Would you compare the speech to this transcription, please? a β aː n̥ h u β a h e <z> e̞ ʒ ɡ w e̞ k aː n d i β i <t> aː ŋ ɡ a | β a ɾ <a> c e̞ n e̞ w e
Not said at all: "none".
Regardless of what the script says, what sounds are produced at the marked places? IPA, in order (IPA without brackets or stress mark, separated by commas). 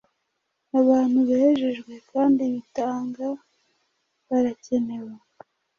ʒ, t, a